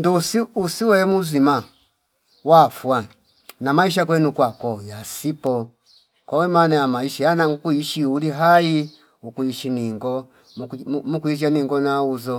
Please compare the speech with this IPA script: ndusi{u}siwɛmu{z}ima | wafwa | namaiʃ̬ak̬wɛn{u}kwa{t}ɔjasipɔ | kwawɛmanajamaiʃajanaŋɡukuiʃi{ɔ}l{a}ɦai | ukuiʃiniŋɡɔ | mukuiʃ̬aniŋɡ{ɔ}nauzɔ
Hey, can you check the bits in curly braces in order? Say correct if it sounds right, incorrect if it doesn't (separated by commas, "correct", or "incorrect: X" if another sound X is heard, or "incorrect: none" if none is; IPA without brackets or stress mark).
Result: correct, correct, correct, incorrect: k, incorrect: u, incorrect: i, correct